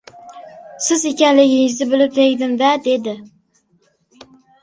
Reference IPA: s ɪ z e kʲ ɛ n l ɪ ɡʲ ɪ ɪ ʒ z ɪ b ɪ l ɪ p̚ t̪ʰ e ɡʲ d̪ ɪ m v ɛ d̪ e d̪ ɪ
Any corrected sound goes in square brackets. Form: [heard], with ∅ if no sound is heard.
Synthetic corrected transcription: s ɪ z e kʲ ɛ n l ɪ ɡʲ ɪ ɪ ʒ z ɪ b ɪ l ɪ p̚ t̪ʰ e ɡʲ d̪ ɪ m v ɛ d̪ e d̪ ɪ